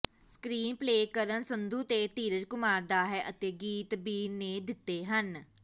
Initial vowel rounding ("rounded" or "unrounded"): unrounded